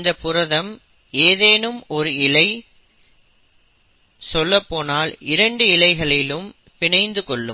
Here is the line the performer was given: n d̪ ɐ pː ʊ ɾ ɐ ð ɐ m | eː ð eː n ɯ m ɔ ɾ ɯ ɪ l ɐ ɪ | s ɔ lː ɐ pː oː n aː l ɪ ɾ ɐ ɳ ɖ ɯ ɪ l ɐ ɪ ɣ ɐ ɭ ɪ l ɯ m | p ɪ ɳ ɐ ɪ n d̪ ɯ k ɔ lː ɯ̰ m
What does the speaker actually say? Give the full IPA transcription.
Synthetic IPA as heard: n d̪ ɐ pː ʊ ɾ ɐ ð ɐ m | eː ð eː n ɯ m ɔ ɾ ɯ ɪ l ɐ ɪ | s ɔ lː ɐ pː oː n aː l ɪ ɾ ɐ ɳ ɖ ɯ ɪ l ɐ ɪ ɣ ɐ ɭ ɪ l ɯ m | p ɪ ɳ ɐ ɪ n d̪ ɯ k ɔ ɭː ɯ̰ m